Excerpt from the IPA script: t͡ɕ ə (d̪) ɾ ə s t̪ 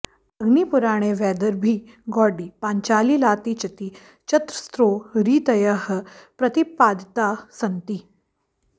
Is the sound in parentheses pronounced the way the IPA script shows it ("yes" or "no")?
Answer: no